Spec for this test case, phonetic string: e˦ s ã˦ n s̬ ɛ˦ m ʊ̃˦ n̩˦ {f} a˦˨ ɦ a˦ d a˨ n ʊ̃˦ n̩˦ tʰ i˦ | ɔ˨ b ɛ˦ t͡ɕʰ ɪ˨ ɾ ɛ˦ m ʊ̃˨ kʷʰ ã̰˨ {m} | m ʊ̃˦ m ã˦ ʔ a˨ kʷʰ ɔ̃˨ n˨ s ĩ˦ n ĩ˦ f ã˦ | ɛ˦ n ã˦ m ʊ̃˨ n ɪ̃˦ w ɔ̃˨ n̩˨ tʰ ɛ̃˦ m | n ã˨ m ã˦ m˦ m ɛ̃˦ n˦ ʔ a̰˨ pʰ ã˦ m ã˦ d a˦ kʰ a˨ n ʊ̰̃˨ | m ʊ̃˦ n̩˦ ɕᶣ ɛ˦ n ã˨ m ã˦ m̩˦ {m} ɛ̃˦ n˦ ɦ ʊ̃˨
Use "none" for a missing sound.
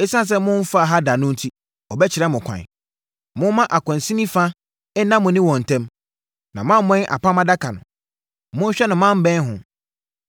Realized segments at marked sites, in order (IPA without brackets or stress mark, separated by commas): f, none, b